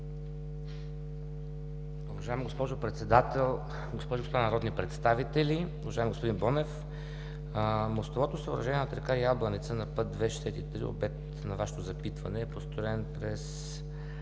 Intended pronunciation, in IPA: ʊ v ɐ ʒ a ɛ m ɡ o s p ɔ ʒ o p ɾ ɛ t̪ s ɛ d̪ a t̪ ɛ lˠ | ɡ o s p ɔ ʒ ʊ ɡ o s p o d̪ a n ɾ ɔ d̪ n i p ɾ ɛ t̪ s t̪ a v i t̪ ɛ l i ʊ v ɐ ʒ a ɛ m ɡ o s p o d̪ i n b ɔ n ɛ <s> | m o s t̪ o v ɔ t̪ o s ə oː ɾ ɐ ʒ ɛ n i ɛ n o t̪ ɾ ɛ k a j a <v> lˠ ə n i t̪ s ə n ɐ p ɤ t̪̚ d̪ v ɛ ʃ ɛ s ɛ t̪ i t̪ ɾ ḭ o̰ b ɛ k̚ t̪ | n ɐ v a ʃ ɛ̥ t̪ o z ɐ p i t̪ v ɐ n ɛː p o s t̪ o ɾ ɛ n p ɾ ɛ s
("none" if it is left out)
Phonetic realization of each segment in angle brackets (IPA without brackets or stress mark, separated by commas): f, b